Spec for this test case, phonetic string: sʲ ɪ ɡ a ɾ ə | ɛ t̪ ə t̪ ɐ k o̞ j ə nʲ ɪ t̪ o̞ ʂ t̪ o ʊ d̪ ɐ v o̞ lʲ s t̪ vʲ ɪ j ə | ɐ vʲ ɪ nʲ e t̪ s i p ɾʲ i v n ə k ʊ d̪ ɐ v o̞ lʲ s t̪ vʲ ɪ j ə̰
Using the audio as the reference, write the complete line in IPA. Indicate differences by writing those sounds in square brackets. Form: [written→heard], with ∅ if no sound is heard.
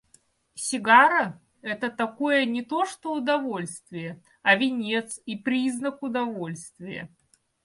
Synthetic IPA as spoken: sʲ ɪ ɡ a ɾ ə | ɛ t̪ ə t̪ ɐ k o̞ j ə nʲ ɪ t̪ o̞ ʂ t̪ o ʊ d̪ ɐ v o̞ lʲ s t̪ vʲ ɪ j ə | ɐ vʲ ɪ nʲ e t̪ s i p ɾʲ i [v→z] n ə k ʊ d̪ ɐ v o̞ lʲ s t̪ vʲ ɪ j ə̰